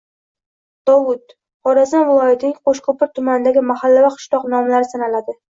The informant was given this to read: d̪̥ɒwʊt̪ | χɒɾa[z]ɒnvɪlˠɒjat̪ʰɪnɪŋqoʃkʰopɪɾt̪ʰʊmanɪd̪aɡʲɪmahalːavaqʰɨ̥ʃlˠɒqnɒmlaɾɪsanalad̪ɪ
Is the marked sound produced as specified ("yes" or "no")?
yes